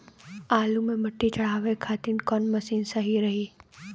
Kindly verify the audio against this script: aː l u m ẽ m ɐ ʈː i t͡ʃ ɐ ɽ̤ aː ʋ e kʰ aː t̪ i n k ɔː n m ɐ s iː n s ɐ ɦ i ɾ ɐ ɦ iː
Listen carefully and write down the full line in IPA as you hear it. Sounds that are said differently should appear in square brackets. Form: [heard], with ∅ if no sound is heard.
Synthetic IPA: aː l u m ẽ m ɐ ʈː i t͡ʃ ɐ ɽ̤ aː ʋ e kʰ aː t̪ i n k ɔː n m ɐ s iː n s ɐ ɦ i ɾ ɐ ɦ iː

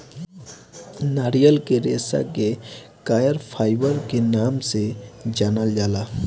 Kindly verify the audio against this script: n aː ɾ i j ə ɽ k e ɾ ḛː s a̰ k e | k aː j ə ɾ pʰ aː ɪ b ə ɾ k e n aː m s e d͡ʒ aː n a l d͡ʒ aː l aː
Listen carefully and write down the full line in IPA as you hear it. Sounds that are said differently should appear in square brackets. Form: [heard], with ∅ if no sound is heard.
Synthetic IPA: n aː ɾ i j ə [l] k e ɾ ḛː s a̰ k e | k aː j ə ɾ pʰ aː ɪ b ə ɾ k e n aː m s e d͡ʒ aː n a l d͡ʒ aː l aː

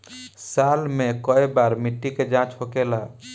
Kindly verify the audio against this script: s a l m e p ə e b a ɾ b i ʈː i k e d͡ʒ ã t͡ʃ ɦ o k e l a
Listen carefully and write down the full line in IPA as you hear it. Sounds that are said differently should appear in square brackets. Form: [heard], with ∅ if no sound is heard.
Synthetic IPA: s a l m e [k] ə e b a ɾ [m] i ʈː i k e d͡ʒ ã t͡ʃ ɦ o k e l a

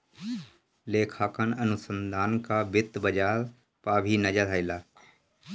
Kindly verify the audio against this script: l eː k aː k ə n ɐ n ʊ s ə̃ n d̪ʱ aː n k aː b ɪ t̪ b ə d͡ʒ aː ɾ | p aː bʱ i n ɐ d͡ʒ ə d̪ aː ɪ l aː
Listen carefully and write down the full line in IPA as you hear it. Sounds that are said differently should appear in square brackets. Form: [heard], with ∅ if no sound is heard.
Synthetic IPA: l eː [kʰ] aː k ə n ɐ n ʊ s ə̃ n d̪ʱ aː n k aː b ɪ t̪ b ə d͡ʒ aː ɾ | p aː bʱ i n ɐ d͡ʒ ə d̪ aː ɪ l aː

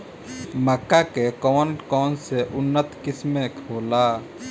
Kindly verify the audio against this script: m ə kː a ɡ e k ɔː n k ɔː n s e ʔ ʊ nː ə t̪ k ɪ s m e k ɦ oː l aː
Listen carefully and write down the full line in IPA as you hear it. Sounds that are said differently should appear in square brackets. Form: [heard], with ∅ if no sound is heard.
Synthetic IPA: m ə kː a [k] e k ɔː n k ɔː n s e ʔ ʊ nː ə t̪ k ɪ s m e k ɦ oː l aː

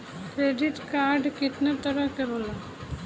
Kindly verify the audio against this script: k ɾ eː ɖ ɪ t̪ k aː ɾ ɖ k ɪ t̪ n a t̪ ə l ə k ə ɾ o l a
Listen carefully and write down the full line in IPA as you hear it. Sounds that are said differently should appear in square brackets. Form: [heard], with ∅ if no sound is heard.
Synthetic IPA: k ɾ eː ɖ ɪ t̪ k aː ɾ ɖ k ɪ t̪ n a t̪ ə [ɾ] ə k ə ɾ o l a

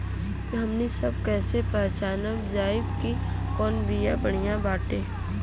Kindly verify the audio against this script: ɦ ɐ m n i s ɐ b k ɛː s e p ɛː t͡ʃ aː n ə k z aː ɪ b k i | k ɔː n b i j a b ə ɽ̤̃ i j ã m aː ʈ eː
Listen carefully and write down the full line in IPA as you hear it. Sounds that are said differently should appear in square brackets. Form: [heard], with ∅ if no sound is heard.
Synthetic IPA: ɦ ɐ m n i s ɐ b k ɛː s e p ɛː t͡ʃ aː n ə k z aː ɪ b k i | k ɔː n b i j a b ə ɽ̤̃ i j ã [b] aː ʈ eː

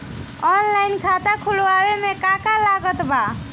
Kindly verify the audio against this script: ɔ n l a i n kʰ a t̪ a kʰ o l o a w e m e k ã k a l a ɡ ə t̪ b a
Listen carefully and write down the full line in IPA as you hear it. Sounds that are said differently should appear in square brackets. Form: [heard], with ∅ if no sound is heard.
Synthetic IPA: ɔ n l a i n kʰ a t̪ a kʰ [u] l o a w e m e k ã k a l a ɡ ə t̪ b a

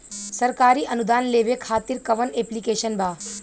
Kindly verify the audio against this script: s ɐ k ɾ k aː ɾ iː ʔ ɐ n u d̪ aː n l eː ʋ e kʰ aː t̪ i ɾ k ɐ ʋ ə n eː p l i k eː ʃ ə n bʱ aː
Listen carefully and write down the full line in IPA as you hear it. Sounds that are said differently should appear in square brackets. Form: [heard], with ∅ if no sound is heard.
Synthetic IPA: s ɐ [∅] ɾ k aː ɾ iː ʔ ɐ n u d̪ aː n l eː ʋ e kʰ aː t̪ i ɾ k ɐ ʋ ə n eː p l i k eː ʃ ə n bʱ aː

